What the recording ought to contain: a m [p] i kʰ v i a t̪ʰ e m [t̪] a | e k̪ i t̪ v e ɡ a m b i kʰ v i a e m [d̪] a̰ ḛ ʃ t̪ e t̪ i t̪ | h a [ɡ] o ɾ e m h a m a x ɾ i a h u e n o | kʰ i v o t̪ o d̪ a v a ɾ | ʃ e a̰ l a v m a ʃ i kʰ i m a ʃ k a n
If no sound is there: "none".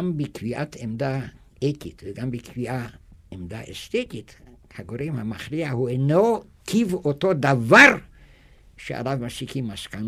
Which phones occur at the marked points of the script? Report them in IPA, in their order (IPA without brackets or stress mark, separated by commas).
b, d̪, d̪, ɡ